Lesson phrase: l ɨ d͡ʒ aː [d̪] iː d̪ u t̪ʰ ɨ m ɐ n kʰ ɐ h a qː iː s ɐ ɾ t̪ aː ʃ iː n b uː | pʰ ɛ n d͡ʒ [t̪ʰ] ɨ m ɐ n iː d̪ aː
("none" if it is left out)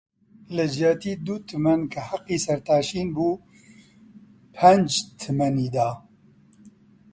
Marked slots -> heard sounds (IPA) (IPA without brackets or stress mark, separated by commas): t̪, t̪ʰ